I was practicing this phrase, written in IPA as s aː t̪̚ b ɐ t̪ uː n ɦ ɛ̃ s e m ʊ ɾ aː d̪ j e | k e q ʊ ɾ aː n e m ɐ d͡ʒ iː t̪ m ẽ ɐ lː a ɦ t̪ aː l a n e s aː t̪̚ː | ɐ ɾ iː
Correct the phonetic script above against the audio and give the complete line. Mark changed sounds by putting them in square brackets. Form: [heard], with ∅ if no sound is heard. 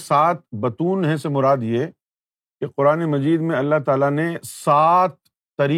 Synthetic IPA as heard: s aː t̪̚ b ɐ t̪ uː n ɦ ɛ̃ s e m ʊ ɾ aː d̪ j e | k e q ʊ ɾ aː n e m ɐ d͡ʒ iː [d̪] m ẽ ɐ lː a ɦ t̪ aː l a n e s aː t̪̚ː | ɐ ɾ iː